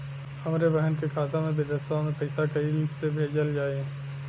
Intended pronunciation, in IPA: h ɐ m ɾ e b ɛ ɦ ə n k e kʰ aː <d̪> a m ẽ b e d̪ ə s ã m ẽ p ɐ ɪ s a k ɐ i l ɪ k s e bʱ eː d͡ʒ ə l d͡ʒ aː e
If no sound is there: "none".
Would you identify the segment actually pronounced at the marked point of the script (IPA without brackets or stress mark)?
t̪